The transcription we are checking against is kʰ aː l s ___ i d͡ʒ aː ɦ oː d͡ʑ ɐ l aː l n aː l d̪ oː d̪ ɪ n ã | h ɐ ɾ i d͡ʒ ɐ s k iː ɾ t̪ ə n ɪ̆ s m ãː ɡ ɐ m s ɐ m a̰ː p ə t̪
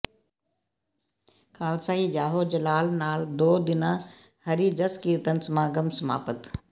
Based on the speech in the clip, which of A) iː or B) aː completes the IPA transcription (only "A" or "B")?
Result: B